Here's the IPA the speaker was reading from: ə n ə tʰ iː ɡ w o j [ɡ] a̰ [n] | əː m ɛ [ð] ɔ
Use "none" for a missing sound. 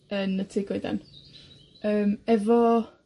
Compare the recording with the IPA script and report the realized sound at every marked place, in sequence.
d, n, v

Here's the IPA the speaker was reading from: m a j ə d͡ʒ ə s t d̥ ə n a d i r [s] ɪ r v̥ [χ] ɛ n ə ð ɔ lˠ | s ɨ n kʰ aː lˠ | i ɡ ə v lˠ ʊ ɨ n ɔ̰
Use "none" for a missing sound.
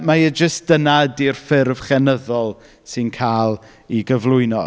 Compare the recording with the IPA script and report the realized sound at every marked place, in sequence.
f, χ

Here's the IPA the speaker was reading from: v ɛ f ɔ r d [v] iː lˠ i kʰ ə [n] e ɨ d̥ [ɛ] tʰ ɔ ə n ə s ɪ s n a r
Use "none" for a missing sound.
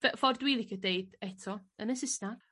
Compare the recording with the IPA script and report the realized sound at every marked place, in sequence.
w, d, ɛ

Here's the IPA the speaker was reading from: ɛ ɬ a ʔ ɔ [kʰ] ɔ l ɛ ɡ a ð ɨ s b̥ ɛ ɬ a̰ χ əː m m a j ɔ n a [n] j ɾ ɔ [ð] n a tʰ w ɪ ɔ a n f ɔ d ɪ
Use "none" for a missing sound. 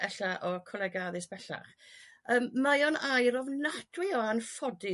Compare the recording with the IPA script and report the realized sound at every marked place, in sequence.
kʰ, none, v

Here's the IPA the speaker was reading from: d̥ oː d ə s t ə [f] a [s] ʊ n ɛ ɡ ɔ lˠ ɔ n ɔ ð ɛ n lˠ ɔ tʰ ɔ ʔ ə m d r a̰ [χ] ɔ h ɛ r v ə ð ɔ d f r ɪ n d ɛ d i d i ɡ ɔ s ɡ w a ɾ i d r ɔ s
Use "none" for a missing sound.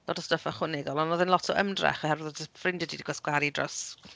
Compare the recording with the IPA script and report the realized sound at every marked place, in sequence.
f, χ, χ

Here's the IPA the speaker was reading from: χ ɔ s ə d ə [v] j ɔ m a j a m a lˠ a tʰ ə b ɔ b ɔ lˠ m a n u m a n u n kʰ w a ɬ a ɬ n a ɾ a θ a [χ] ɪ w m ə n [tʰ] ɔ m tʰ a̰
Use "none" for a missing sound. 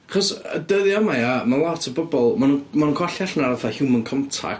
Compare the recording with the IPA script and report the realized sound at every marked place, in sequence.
ð, h, kʰ

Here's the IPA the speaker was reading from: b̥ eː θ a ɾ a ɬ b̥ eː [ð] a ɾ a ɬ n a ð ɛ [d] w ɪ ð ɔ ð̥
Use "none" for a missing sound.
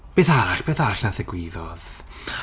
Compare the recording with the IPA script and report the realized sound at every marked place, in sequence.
θ, ɡ

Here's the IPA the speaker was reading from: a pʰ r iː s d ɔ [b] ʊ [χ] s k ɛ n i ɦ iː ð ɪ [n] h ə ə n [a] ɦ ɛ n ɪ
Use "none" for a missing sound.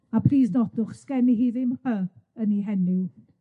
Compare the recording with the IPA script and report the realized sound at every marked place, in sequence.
d, χ, m, i

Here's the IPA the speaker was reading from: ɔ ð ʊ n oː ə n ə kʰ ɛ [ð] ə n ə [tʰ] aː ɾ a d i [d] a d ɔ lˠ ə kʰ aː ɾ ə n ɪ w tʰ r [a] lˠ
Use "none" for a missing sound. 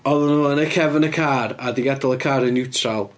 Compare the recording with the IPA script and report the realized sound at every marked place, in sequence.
v, kʰ, ɡ, a

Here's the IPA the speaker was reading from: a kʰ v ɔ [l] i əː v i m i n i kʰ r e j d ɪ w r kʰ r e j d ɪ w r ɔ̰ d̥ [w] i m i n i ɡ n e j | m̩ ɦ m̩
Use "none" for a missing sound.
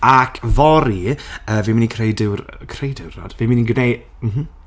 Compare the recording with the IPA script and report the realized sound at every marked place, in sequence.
ɾ, v

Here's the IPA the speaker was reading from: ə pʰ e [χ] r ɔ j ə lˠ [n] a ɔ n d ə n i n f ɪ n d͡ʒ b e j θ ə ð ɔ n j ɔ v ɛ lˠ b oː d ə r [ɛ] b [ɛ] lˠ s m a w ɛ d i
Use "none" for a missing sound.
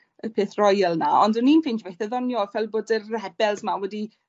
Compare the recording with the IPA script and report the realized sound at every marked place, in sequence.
θ, n, ɛ, ɛ

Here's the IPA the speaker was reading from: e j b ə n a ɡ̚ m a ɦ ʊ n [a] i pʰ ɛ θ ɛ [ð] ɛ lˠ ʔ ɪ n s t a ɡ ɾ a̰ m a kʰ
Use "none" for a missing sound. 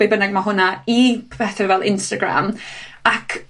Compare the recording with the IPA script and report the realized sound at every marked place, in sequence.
a, v

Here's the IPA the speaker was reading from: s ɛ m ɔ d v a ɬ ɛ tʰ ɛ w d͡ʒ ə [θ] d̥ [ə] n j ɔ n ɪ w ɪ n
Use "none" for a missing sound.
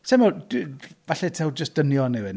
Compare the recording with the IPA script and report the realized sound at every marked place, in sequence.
s, ə

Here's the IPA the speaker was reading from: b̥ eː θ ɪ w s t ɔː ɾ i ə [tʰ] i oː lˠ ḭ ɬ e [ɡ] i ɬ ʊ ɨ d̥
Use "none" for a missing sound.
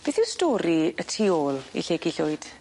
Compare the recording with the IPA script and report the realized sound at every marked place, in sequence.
tʰ, ɡ

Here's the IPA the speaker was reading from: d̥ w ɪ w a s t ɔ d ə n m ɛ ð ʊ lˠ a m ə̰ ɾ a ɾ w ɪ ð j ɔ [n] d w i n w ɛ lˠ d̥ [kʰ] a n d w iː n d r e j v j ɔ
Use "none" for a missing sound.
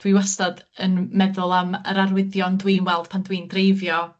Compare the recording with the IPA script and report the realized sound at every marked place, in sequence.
n, pʰ

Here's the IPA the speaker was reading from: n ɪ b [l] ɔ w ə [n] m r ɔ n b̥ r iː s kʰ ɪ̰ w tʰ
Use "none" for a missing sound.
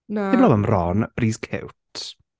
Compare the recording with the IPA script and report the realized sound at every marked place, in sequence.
l, none

